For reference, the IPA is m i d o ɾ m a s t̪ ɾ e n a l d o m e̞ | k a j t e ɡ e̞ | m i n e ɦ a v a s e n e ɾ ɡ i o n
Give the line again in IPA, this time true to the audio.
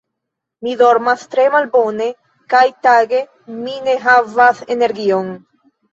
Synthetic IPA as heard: m i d o ɾ m a s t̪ ɾ e m a l b o n e̞ | k a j t a ɡ e̞ | m i n e ɦ a v a s e n e ɾ ɡ i o n